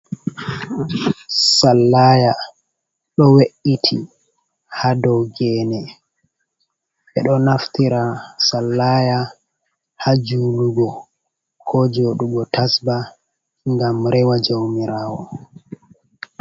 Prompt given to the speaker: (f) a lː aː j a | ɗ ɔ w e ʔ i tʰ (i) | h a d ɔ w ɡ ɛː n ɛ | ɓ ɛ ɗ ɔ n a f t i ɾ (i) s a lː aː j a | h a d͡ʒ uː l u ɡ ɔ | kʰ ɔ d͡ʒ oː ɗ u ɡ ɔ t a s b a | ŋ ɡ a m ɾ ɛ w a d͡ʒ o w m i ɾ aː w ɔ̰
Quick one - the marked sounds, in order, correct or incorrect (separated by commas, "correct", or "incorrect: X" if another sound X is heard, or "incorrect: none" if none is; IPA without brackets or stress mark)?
incorrect: s, correct, incorrect: a